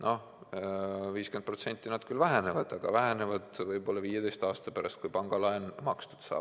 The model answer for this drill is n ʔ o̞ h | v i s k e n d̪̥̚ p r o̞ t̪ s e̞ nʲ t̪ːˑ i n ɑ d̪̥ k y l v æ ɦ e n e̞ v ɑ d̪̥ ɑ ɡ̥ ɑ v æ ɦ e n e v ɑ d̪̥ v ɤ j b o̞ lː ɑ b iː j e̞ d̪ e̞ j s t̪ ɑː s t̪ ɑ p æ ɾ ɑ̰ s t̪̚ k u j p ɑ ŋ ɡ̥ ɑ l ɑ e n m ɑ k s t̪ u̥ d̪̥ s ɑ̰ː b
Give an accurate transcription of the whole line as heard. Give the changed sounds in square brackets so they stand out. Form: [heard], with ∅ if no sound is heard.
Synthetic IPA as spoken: n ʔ o̞ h | v [iː] s k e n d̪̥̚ p r o̞ t̪ s e̞ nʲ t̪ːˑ i n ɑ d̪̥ k y l v æ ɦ e n e̞ v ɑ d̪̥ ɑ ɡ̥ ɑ v æ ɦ e n e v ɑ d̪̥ v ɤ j b o̞ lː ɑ [v] iː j e̞ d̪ e̞ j s t̪ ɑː s t̪ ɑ p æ ɾ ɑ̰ s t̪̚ k u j p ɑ ŋ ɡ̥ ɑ l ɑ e n m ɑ k s t̪ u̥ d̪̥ s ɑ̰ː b